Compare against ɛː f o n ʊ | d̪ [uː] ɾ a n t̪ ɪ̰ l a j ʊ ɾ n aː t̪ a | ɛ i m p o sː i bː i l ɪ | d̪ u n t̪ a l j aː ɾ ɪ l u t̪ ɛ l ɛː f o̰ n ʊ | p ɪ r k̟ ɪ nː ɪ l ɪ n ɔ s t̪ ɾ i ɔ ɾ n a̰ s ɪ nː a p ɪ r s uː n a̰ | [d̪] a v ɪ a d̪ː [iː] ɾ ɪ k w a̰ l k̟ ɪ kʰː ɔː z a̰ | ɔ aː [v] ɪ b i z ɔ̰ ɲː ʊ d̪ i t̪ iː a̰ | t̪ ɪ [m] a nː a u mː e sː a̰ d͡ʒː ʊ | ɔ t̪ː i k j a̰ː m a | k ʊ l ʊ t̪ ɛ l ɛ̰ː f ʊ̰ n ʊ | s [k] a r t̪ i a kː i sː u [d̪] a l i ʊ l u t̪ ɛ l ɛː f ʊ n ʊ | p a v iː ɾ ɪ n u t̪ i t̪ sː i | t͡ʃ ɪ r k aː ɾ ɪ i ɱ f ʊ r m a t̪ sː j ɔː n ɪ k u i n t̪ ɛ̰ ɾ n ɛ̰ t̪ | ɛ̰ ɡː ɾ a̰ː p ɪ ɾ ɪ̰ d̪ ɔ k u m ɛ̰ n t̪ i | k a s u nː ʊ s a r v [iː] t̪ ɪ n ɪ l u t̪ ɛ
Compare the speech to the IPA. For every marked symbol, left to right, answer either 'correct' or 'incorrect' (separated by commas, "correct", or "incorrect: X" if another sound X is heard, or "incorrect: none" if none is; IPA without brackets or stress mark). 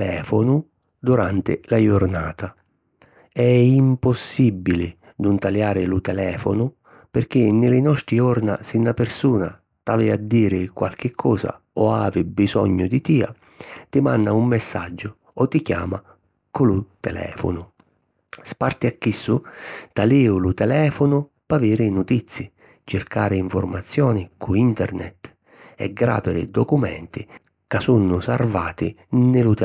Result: incorrect: u, incorrect: t̪, correct, correct, correct, incorrect: p, incorrect: t̪, incorrect: aː